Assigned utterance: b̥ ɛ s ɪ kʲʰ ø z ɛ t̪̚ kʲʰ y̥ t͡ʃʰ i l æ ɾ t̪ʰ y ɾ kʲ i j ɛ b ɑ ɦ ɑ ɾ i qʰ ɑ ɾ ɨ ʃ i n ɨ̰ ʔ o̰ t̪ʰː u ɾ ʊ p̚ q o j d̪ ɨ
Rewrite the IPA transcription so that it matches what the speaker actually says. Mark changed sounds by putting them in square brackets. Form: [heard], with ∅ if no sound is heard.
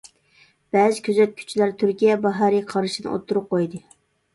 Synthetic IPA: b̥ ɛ [z] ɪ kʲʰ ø z ɛ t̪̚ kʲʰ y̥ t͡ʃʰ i l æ ɾ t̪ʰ y ɾ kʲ i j ɛ b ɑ ɦ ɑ ɾ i qʰ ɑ ɾ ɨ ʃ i n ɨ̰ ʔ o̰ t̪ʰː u ɾ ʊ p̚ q o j d̪ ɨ

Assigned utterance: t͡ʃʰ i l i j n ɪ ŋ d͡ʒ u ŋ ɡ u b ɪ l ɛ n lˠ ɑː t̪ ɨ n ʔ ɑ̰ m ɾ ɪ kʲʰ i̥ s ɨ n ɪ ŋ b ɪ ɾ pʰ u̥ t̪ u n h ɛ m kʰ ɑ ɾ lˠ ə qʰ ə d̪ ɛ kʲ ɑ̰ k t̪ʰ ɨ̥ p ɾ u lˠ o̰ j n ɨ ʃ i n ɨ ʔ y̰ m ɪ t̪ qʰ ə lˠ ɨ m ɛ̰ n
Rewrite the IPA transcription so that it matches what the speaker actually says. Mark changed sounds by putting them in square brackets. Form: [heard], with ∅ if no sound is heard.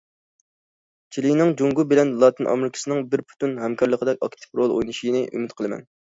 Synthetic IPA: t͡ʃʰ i l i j n ɪ ŋ d͡ʒ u ŋ ɡ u b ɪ l ɛ n lˠ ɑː t̪ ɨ n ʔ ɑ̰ m ɾ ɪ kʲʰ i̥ s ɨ n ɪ ŋ b ɪ ɾ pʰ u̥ t̪ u n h ɛ m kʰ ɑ ɾ lˠ ə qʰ ə d̪ ɛ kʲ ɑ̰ k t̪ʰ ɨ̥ p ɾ [o] lˠ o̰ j n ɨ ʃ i n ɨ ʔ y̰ m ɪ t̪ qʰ ə lˠ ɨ m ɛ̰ n

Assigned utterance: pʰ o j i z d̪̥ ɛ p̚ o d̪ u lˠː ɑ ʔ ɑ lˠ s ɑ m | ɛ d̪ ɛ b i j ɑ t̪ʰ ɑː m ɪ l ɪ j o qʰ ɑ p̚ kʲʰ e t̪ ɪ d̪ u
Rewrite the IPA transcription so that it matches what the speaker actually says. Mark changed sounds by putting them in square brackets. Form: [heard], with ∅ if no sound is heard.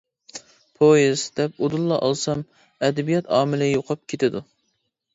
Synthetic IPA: pʰ o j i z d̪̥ ɛ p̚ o d̪ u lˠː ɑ ʔ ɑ lˠ s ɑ m | ɛ d̪ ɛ b i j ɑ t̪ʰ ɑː m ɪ l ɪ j o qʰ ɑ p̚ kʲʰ e t̪ ɪ d̪ u

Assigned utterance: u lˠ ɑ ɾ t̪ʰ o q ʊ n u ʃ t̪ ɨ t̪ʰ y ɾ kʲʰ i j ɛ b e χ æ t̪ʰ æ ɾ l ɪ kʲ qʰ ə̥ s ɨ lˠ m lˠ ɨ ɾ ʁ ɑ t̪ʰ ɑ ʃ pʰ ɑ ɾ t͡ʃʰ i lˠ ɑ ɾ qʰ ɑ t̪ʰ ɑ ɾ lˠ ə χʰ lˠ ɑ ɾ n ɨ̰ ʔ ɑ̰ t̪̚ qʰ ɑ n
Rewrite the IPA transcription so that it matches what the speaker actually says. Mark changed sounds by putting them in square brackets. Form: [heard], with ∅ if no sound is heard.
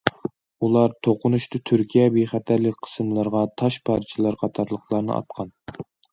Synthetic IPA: u lˠ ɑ ɾ t̪ʰ o q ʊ n u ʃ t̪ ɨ t̪ʰ y ɾ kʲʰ i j ɛ b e χ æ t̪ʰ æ ɾ l ɪ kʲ qʰ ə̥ s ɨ [∅] m lˠ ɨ ɾ ʁ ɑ t̪ʰ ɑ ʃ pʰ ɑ ɾ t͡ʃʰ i lˠ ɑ ɾ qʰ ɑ t̪ʰ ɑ ɾ lˠ ə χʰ lˠ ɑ ɾ n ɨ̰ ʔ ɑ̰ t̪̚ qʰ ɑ n

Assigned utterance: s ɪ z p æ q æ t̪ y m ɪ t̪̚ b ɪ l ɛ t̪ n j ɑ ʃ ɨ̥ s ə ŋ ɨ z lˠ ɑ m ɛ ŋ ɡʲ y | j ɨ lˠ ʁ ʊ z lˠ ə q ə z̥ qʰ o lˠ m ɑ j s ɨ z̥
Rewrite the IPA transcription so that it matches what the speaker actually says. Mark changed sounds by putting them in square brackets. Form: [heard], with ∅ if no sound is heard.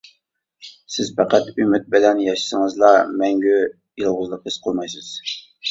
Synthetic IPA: s ɪ z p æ q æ t̪ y m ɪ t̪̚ b ɪ l ɛ [∅] n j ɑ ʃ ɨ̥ s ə ŋ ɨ z lˠ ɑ m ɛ ŋ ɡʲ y | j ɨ lˠ ʁ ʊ z lˠ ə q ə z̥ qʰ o lˠ m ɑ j s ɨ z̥

